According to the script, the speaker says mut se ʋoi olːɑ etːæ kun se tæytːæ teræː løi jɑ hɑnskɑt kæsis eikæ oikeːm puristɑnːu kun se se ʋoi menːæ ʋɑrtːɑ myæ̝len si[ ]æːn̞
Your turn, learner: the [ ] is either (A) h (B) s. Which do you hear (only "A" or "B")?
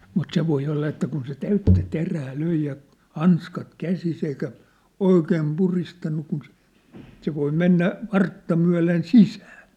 B